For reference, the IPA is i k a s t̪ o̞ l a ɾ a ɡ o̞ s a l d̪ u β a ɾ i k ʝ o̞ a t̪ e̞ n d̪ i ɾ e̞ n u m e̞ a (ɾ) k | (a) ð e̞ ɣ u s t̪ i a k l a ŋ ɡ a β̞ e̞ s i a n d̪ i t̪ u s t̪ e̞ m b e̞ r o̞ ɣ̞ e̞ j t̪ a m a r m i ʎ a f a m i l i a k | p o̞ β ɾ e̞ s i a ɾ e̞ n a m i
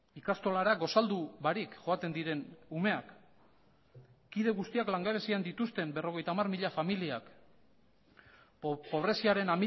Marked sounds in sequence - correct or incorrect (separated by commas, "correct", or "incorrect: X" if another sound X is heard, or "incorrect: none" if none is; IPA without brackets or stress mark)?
incorrect: none, incorrect: i